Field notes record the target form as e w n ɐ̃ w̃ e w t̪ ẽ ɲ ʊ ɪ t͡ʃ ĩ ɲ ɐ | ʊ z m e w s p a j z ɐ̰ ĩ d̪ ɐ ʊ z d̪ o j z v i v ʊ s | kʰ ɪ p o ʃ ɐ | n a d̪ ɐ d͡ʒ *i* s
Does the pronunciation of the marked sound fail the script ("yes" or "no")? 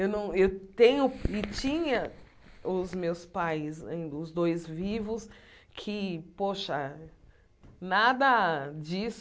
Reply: no